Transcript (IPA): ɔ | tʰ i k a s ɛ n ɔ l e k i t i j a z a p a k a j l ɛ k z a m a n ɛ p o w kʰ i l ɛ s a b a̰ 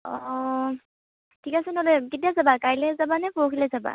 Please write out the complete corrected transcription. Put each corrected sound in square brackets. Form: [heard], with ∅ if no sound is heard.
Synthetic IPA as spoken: ɔ | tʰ i k a s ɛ n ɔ l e k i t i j a z a [b] a k a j l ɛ [∅] z a [b] a n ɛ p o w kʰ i l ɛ [z] a b a̰